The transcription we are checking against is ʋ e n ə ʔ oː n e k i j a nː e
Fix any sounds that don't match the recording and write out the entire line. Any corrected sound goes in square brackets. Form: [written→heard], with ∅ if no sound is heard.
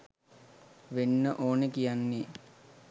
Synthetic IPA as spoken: ʋ e [n→nː] ə ʔ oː n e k i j a nː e

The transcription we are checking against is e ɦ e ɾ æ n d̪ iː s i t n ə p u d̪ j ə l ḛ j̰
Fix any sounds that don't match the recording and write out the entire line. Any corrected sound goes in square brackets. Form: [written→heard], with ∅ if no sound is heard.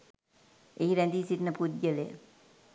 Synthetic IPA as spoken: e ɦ [e→i] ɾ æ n d̪ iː s i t n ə p u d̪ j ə l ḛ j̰

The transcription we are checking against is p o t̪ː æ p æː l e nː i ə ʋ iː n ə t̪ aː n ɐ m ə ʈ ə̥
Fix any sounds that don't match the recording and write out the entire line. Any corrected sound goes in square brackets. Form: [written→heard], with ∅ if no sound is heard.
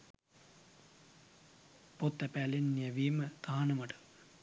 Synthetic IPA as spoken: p o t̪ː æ p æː l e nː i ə ʋ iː [n→m] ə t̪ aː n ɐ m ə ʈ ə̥

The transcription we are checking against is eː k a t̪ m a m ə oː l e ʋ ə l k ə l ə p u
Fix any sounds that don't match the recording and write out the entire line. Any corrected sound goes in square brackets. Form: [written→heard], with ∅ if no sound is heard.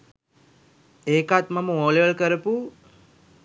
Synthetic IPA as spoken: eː k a t̪ m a m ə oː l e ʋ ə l k ə [l→ɾ] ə p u

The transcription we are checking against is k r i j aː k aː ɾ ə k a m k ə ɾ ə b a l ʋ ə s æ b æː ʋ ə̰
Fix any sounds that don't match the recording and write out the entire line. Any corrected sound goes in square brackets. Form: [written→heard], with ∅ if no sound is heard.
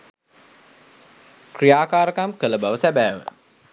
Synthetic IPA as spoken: k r i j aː k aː ɾ ə k a m k ə [ɾ→l] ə b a [l→∅] ʋ ə s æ b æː ʋ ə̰

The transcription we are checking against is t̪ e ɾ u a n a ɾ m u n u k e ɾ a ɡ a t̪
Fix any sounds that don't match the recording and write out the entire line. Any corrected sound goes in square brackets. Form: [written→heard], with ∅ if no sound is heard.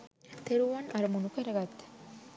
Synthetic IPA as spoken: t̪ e ɾ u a n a ɾ m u n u k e ɾ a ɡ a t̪

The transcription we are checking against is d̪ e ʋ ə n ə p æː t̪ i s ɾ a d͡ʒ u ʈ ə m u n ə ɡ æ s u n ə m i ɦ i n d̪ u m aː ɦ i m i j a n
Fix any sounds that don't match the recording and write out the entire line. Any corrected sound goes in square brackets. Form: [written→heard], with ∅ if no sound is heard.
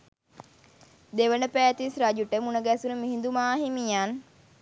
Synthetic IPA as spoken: d̪ e ʋ ə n ə p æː t̪ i s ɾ a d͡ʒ u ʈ ə m u n ə ɡ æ s u n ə m i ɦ i n d̪ u m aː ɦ i m i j a n

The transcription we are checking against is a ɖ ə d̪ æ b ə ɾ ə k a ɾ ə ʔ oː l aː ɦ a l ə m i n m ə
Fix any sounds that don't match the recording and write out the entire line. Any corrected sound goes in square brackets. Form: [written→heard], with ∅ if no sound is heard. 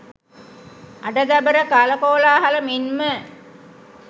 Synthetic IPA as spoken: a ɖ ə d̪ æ b ə ɾ ə k a [ɾ→l] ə [ʔ→k] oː l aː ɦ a l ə m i n m ə

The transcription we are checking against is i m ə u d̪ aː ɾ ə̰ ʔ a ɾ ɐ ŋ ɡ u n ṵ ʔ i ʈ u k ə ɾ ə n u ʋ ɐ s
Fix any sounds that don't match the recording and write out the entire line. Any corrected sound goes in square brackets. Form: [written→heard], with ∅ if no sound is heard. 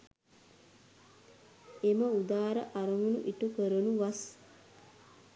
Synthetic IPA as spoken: [i→e] m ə u d̪ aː ɾ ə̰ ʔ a ɾ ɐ ŋ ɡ u n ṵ ʔ i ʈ u k ə ɾ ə n u ʋ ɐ s

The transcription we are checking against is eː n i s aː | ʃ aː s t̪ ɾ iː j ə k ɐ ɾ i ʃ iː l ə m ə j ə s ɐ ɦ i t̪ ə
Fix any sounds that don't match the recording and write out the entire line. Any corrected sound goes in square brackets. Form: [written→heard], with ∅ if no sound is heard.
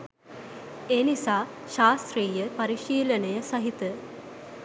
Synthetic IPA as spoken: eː n i s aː | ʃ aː s t̪ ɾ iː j ə [k→p] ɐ ɾ i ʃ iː l ə [m→n] ə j ə s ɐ ɦ i t̪ ə

